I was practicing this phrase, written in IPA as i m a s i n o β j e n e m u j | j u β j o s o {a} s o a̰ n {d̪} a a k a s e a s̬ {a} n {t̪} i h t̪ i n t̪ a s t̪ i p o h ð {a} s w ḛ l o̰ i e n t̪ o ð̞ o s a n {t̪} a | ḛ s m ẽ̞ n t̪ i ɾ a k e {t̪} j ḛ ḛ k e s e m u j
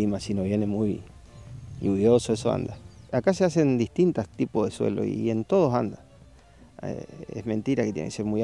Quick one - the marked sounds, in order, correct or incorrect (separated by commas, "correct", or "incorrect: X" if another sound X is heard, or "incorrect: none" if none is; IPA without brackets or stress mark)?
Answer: incorrect: e, correct, incorrect: e, incorrect: d̪, incorrect: e, incorrect: d̪, correct